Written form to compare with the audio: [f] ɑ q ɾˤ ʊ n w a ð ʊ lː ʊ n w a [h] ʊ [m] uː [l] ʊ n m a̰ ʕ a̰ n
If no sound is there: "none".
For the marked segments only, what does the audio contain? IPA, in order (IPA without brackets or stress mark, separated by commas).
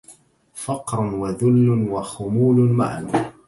f, x, m, l